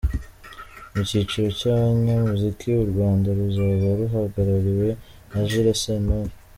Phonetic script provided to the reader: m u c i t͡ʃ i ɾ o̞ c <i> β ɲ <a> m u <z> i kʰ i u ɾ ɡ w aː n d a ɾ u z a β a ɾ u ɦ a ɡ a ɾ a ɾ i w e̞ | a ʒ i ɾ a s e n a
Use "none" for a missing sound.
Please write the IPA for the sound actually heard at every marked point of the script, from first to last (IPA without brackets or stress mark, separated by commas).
a, a, z